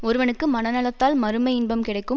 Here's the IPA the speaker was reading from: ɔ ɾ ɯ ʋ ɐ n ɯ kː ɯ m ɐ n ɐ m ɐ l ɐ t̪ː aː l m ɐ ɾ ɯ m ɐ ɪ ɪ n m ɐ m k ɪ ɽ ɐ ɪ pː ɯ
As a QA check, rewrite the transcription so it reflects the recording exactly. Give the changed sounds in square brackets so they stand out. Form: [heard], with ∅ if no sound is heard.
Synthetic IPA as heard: ɔ ɾ ɯ ʋ ɐ n ɯ kː ɯ m ɐ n ɐ [n] ɐ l ɐ t̪ː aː l m ɐ ɾ ɯ m ɐ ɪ ɪ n [b] ɐ m k ɪ ɽ ɐ ɪ [kː] ɯ